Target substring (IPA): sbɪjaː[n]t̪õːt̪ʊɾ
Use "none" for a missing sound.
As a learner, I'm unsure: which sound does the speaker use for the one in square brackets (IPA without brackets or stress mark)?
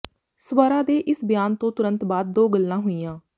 n